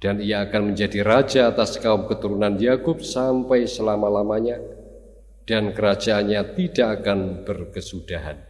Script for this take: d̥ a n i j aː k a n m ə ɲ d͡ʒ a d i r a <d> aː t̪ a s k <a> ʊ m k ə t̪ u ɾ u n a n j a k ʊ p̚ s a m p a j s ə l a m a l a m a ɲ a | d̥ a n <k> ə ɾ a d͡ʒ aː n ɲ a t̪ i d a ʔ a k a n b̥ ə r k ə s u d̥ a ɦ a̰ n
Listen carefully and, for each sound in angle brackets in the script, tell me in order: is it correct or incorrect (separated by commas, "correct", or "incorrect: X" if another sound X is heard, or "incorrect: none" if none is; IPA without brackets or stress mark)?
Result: incorrect: d͡ʒ, correct, correct